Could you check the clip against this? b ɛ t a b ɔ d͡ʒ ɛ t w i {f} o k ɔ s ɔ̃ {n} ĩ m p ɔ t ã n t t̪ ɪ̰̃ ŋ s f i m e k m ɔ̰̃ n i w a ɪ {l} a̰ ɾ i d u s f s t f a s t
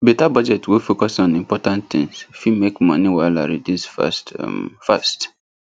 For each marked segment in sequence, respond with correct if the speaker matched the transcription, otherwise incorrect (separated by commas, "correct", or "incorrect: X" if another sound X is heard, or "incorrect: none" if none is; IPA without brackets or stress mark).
correct, correct, correct